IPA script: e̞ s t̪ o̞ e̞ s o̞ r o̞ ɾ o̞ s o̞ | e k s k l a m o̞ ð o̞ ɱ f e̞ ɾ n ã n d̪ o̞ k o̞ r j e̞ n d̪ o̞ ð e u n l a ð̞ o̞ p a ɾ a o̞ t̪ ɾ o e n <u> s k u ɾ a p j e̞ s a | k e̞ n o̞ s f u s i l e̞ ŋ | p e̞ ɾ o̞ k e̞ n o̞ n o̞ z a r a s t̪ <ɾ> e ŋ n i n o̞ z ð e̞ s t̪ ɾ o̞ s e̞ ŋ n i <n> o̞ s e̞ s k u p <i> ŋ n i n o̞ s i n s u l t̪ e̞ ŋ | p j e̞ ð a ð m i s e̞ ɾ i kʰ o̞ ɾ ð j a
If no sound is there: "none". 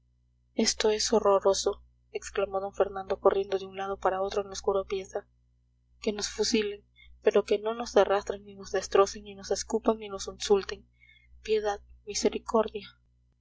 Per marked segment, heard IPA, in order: o, ɾ, n, a

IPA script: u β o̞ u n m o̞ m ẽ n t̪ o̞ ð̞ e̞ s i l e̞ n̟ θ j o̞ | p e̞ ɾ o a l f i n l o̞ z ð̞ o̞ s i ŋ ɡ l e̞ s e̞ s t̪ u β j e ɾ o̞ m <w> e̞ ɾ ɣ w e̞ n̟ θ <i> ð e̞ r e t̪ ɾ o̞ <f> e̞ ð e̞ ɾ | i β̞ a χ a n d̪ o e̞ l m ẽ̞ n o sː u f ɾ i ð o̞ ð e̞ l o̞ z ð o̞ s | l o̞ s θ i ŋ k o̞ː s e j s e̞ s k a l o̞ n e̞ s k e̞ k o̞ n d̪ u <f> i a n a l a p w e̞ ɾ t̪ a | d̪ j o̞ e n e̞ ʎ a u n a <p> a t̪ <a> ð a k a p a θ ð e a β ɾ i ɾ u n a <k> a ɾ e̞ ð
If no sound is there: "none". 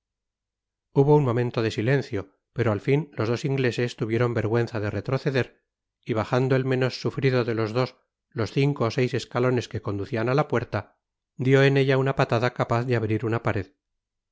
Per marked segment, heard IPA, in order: b, a, θ, θ, p, a, p

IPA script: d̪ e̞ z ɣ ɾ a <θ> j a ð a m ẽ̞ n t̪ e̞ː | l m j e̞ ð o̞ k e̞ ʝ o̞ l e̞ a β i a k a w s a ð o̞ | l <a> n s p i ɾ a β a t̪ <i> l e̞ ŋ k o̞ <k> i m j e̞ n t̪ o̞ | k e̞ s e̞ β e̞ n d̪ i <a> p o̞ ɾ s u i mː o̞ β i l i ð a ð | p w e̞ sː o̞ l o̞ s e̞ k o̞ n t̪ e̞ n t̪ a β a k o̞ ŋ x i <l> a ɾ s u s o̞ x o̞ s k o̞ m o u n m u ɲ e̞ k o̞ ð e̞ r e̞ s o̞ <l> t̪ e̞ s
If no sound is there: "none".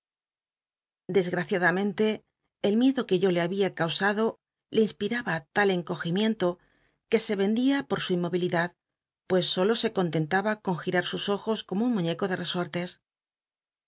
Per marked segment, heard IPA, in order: θ, i, a, x, a, ɾ, ɾ

